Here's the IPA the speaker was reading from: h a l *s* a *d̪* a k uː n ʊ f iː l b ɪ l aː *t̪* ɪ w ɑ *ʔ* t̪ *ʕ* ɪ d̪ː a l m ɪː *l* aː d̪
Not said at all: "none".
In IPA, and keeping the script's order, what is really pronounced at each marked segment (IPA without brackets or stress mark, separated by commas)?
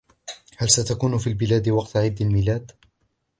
s, t̪, d̪, q, ʕ, l